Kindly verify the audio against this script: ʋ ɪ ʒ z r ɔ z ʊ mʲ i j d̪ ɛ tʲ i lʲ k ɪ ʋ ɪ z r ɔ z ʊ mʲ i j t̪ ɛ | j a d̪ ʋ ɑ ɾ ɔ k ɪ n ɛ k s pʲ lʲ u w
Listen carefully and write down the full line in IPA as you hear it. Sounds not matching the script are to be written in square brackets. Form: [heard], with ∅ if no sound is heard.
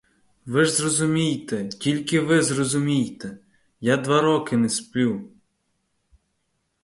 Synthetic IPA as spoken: ʋ ɪ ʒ z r ɔ z ʊ mʲ i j [t̪] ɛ tʲ i lʲ k ɪ ʋ ɪ z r ɔ z ʊ mʲ i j t̪ ɛ | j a d̪ ʋ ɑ ɾ ɔ k ɪ n ɛ [∅] s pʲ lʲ u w